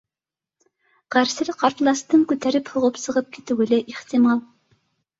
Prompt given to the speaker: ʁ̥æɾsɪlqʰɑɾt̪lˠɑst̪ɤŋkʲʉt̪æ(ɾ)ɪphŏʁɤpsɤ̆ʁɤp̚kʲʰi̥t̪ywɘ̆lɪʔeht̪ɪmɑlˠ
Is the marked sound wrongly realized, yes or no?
no